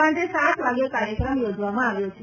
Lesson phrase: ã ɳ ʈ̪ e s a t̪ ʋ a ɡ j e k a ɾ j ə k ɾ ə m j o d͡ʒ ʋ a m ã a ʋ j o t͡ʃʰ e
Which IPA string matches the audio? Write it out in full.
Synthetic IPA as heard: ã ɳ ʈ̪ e s a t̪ ʋ a ɡ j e k a ɾ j ə k ɾ ə m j o d͡ʒ ʋ a m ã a ʋ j o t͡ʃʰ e